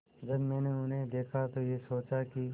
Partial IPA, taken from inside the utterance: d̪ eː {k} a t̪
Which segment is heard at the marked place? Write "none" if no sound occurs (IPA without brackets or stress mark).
kʰ